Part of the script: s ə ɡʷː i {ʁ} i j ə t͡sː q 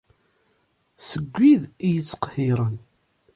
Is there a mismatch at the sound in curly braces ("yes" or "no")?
yes